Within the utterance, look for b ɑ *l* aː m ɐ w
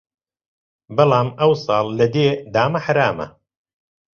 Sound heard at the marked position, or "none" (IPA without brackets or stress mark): l